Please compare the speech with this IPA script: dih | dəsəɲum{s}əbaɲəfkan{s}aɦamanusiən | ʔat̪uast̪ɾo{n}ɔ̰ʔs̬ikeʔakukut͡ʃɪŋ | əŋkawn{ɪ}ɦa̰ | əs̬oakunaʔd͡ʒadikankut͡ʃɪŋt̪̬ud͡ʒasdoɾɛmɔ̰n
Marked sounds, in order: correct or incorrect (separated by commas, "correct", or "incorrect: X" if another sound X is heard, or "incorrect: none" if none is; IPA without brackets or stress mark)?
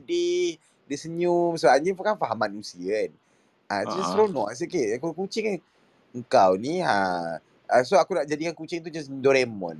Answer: correct, incorrect: f, correct, incorrect: i